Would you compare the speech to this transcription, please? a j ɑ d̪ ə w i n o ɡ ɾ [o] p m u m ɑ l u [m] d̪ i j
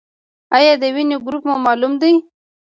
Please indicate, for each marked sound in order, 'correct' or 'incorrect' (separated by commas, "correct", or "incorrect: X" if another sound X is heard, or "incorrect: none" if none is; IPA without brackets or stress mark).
incorrect: u, correct